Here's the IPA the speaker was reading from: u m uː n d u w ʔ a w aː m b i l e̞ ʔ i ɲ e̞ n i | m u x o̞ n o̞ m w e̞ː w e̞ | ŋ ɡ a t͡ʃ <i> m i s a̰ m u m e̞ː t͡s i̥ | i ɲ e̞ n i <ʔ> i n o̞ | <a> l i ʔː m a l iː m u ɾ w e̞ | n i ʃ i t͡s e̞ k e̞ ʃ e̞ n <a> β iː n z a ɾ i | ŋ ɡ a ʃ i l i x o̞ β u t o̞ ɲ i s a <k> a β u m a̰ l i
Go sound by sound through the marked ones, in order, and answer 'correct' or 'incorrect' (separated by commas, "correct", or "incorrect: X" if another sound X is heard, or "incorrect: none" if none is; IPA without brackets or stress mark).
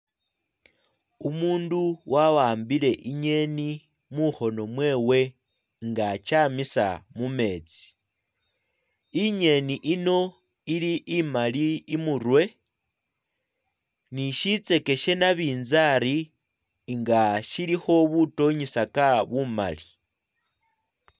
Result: incorrect: a, correct, incorrect: i, correct, correct